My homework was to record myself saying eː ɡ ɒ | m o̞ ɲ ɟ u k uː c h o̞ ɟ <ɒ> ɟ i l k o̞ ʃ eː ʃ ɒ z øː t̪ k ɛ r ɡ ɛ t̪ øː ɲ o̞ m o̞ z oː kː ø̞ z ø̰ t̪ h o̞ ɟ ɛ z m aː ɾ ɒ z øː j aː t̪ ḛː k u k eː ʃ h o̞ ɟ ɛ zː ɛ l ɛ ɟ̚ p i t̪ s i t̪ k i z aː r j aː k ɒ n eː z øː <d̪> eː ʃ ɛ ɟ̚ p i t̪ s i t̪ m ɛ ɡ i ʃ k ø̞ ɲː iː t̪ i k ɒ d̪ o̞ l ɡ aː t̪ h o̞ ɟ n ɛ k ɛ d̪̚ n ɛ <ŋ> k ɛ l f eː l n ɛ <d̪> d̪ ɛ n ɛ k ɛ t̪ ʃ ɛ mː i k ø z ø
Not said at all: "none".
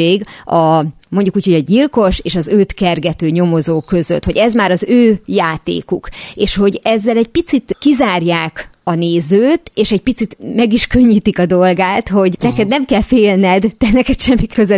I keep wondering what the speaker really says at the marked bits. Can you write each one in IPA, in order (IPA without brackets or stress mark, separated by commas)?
ɒ, t̪, m, d̪